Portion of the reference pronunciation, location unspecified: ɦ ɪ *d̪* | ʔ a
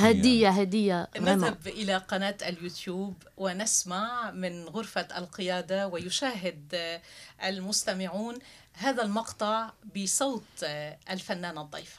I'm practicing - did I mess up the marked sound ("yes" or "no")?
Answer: no